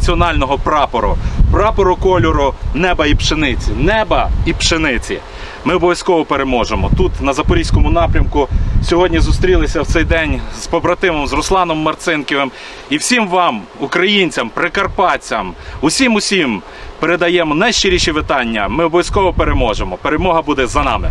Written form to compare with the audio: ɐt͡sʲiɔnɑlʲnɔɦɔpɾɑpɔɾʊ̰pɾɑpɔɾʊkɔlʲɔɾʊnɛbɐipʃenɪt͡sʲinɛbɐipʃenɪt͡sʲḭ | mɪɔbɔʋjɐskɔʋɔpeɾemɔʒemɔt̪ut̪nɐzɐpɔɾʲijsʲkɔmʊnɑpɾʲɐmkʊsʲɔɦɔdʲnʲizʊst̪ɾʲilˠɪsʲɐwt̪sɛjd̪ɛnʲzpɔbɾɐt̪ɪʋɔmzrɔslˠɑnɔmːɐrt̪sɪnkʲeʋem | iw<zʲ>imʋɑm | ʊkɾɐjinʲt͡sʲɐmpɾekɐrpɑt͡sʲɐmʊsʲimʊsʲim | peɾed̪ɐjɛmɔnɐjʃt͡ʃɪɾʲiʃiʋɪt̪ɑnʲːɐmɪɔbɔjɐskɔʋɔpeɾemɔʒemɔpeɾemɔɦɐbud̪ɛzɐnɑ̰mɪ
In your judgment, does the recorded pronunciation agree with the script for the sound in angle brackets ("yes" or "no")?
no